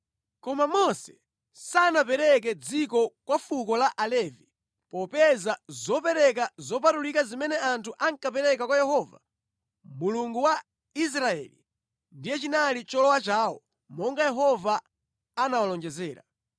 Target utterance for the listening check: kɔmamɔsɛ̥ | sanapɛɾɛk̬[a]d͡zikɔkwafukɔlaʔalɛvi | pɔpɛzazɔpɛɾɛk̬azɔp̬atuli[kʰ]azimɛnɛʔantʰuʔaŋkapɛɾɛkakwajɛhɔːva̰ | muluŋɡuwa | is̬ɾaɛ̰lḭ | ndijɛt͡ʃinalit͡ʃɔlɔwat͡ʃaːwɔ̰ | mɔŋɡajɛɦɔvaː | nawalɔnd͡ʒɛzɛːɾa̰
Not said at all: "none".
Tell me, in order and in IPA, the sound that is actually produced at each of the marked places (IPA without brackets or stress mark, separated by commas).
ɛ, k